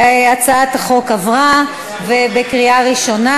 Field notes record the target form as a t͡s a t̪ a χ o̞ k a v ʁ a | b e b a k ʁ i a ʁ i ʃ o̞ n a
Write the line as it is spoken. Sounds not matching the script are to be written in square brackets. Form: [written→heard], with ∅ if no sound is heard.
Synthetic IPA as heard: a t͡s a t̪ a χ o̞ k a v ʁ a | [b→v] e b [a→e] k ʁ i a ʁ i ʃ o̞ n a

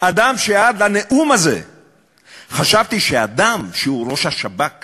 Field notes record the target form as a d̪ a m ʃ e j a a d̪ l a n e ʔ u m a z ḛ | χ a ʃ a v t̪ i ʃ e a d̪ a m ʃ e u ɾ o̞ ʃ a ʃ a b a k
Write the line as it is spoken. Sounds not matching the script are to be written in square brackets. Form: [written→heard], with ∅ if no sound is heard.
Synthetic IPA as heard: a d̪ a m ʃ e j a a d̪ l a n e ʔ u m a z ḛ | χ a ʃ a v t̪ i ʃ e a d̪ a m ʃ e u ɾ o̞ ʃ a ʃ a b a k

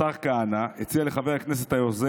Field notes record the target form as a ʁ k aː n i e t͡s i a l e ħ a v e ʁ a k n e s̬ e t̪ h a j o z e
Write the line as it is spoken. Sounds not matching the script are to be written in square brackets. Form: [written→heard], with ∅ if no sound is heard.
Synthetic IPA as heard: a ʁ k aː n [i→a] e t͡s i a l e [ħ→χ] a v e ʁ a k n e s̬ e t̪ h a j o z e

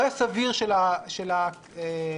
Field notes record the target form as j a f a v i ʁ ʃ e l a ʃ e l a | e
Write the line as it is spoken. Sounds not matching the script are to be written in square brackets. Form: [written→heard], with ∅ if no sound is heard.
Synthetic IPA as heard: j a [f→s] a v i ʁ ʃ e l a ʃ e l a | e

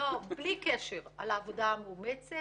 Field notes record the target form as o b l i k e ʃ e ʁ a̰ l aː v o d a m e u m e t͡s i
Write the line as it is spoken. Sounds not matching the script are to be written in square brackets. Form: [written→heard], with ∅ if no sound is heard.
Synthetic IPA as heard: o b l i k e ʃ e ʁ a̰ l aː v o d a m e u m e t͡s [i→e]

